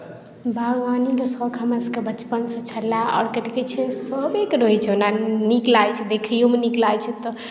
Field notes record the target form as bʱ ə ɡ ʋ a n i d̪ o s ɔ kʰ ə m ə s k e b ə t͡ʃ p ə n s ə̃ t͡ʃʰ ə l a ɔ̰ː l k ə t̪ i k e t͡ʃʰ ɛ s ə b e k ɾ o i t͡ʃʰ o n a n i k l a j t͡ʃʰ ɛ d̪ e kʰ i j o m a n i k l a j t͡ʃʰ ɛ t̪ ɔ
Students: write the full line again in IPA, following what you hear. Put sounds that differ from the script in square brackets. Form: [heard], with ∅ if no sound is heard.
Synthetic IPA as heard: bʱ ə ɡ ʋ a n i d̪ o s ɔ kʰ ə m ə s k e b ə t͡ʃ p ə n s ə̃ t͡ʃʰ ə l a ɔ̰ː [ɾ] k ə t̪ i k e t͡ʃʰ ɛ s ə b e k ɾ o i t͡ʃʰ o n a n i k l a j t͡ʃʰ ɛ d̪ e kʰ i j o m [e] n i k l a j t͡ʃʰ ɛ t̪ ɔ